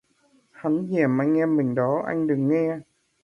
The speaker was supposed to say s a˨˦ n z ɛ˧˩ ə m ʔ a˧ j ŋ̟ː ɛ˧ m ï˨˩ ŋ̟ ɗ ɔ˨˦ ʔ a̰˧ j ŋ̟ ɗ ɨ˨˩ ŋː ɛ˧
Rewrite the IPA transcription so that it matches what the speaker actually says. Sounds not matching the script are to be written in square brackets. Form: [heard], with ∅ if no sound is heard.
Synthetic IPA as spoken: [h] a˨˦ n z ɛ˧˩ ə m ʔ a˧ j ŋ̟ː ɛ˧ m ï˨˩ ŋ̟ ɗ ɔ˨˦ ʔ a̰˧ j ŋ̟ ɗ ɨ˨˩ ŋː ɛ˧